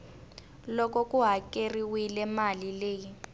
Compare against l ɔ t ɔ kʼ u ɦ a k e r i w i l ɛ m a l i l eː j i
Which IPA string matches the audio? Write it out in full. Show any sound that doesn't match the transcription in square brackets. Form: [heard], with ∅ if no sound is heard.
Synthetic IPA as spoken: l ɔ [k] ɔ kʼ u ɦ a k e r i w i l ɛ m a l i l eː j i